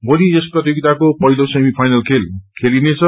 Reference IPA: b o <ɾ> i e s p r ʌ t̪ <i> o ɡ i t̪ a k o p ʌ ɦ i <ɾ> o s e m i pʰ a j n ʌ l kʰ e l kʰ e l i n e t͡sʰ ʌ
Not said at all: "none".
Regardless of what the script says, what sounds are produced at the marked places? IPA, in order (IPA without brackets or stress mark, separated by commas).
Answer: l, j, l